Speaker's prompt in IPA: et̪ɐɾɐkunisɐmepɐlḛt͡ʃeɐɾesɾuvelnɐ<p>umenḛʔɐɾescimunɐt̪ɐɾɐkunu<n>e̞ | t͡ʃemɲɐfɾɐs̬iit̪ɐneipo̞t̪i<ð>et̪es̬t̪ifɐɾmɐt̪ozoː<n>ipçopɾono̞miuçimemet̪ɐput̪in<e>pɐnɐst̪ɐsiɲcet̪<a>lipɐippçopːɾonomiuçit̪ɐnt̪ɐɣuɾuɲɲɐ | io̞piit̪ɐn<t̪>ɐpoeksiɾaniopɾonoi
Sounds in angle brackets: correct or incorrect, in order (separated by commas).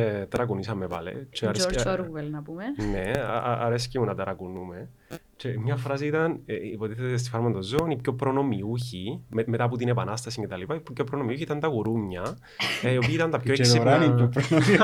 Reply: correct, incorrect, incorrect, correct, correct, incorrect, correct